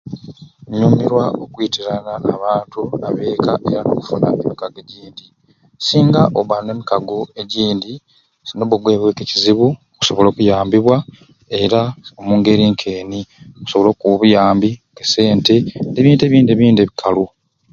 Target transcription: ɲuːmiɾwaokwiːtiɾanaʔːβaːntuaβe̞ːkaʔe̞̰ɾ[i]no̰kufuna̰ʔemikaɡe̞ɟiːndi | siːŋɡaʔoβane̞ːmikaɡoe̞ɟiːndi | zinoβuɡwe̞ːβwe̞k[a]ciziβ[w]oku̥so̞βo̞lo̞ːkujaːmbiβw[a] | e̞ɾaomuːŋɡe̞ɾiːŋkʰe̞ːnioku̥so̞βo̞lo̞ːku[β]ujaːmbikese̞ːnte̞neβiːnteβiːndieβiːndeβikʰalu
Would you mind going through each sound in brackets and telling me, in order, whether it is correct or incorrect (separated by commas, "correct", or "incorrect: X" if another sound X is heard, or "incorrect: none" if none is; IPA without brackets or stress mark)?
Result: incorrect: a, incorrect: e, incorrect: u, correct, correct